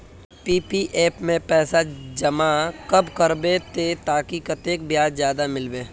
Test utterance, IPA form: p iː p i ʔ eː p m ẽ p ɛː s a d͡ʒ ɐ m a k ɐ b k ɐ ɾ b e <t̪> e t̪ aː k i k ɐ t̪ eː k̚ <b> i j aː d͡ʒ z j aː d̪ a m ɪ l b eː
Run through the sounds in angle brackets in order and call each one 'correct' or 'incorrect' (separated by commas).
correct, correct